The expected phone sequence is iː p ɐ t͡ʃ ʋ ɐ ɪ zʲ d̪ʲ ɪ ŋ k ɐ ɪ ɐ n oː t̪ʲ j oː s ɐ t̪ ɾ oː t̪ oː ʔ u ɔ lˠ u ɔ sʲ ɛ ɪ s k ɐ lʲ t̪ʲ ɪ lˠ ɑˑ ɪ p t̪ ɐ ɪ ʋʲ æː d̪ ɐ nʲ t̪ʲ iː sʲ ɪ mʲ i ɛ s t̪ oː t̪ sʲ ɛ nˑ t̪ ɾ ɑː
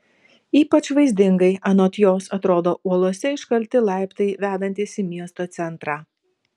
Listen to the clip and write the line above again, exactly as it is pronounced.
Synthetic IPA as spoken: iː p ɐ t͡ʃ ʋ ɐ ɪ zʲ d̪ʲ ɪ ŋ ɡ ɐ ɪ ɐ n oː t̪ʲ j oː s ɐ t̪ ɾ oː d̪ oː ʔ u ɔ lˠ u ɔ sʲ ɛ ɪ ʃ k ɐ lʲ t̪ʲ ɪ lˠ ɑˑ ɪ p t̪ ɐ ɪ ʋʲ æː d̪ ɐ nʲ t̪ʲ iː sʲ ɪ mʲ i ɛ s t̪ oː t̪ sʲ ɛ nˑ t̪ ɾ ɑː